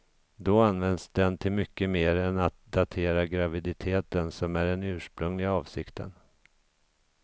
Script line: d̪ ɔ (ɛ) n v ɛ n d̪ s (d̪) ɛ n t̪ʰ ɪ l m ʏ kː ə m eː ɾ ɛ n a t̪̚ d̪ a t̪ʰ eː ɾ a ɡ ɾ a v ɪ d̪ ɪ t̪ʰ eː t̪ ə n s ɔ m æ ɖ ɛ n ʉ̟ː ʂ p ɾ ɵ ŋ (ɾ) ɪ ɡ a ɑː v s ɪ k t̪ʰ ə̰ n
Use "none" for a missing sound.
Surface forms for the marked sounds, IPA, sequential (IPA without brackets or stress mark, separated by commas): a, d̪, l